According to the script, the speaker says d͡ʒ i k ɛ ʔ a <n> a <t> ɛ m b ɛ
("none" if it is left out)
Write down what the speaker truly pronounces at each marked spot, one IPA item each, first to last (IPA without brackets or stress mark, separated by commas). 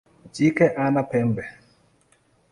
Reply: n, p